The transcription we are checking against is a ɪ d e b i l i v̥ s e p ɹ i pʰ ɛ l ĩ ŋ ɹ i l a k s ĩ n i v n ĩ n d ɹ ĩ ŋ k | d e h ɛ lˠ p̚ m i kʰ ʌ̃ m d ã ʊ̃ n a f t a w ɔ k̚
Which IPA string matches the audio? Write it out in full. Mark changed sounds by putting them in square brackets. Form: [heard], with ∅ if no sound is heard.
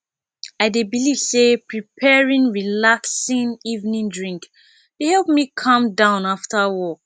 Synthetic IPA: a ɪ d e b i l i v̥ s e p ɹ i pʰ ɛ [ɹ] ĩ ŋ ɹ i l a k s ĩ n i v n ĩ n d ɹ ĩ ŋ k | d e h ɛ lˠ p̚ m i kʰ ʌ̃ m d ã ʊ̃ n a f t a w ɔ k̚